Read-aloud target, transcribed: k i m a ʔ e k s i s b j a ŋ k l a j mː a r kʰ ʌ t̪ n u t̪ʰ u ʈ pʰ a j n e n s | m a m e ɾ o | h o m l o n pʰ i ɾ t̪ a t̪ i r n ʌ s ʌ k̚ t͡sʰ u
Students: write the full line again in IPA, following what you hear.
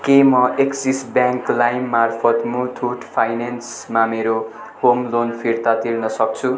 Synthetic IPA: k e m ʌ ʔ e k s i s b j a ŋ k l a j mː a r pʰ ʌ t̪ m u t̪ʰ u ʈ pʰ a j n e n s | m a m e ɾ o | h o m l o n pʰ i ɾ t̪ a t̪ i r n ʌ s ʌ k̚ t͡sʰ u

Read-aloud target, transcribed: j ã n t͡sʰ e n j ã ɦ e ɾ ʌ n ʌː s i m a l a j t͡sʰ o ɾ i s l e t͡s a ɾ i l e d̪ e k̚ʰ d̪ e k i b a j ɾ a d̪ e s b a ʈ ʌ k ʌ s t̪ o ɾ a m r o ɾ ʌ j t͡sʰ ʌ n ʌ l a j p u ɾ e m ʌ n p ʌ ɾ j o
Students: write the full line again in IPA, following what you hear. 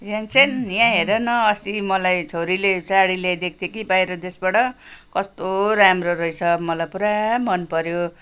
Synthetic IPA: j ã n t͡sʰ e n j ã ɦ e ɾ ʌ n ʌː s i m ʌ l a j t͡sʰ o ɾ i l e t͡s a ɽ i l e d̪ e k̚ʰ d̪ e k i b a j ɾ ʌ d̪ e s b a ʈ ʌ k ʌ s t̪ o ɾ a m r o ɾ ʌ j t͡sʰ ʌ m ʌ l a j p u ɾ a m ʌ n p ʌ ɾ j o

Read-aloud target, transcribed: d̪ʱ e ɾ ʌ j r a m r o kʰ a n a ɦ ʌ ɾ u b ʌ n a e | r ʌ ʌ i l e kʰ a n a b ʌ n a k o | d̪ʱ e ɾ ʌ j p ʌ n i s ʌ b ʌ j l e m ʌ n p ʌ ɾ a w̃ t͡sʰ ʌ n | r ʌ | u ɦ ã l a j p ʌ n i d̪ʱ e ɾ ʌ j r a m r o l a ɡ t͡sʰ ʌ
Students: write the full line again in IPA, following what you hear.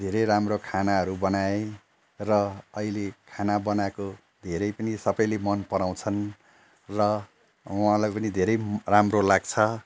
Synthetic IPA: d̪ʱ e ɾ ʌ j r a m r o kʰ a n a ɦ ʌ ɾ u b ʌ n a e | r ʌ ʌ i l e kʰ a n a b ʌ n a k o | d̪ʱ e ɾ ʌ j p ʌ n i s ʌ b ʌ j l e m ʌ n p ʌ ɾ a w̃ t͡sʰ ʌ n | r ʌ | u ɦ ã l a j p ʌ n i d̪ʱ e ɾ ʌ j r a m r o l a ɡ t͡sʰ ʌ

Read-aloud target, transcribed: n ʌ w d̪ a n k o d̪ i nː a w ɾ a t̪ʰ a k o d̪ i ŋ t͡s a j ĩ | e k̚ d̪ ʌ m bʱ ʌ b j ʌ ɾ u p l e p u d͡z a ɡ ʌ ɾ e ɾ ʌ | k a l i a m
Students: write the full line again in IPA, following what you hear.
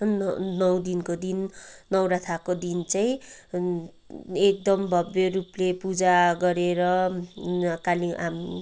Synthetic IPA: n ʌ w d̪ i n k o d̪ i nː ʌ w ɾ a t̪ʰ a k o d̪ i n t͡s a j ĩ | e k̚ d̪ ʌ m bʱ ʌ b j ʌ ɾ u p l e p u d͡z a ɡ ʌ ɾ e ɾ ʌ | k a l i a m

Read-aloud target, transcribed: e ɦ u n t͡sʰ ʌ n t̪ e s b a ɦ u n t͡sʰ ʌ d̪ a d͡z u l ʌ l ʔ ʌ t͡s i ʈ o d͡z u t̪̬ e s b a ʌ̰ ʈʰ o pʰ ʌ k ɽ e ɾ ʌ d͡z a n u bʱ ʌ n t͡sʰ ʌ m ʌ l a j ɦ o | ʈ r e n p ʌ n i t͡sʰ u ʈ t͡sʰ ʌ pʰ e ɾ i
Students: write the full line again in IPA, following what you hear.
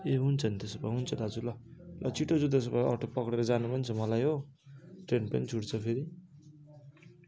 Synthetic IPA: e ɦ u n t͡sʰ ʌ n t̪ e s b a ɦ u n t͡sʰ ʌ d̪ a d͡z u l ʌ l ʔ ʌ t͡s i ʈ o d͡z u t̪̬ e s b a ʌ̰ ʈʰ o p ʌ k ɽ e ɾ ʌ d͡z a n u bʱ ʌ n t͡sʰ ʌ m ʌ l a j ɦ o | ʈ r e n p ʌ n i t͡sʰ u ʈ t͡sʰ ʌ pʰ e ɾ i

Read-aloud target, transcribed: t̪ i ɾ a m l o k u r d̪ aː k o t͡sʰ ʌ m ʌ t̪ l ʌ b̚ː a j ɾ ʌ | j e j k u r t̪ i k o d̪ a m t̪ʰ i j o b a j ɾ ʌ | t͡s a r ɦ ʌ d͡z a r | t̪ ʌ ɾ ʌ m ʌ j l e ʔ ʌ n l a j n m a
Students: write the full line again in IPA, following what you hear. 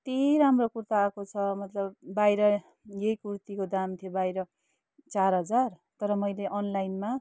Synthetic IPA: t̪ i ɾ a m r o k u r t̪ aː k o t͡sʰ ʌ m ʌ t̪ l ʌ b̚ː a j ɾ ʌ | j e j k u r t̪ i k o d̪ a m t̪ʰ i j o b a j ɾ ʌ | t͡s a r ɦ ʌ d͡z a r | t̪ ʌ ɾ ʌ m ʌ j l e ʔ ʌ n l a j n m a

